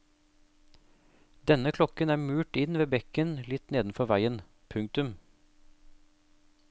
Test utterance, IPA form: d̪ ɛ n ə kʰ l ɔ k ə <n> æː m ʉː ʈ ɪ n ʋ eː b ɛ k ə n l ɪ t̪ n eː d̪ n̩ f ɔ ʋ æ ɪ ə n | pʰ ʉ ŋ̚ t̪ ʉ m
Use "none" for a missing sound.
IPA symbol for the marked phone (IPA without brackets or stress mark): n